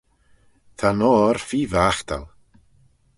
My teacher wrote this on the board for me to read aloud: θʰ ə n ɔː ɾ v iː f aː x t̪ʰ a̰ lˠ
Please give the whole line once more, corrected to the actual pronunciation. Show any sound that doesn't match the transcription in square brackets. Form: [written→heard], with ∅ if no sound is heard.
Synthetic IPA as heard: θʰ [ə→a] n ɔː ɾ [v→f] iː [f→v] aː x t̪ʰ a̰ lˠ